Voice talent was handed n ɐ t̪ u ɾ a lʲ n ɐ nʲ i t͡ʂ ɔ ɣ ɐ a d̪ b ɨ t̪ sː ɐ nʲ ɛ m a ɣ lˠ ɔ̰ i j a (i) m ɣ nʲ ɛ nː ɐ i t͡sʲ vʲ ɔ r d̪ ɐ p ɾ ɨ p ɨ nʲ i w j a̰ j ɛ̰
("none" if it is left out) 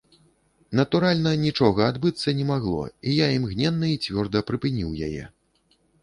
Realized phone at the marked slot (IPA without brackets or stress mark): i